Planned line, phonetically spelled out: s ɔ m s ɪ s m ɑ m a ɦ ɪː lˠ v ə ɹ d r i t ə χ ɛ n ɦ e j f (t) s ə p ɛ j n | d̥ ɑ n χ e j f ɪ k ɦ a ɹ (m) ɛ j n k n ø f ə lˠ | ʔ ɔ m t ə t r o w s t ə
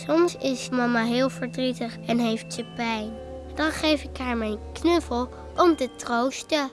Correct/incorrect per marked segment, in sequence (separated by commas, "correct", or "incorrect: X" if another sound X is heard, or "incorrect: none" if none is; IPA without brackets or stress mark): correct, correct